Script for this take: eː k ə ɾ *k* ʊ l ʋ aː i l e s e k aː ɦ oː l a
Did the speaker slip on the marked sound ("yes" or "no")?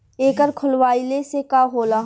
yes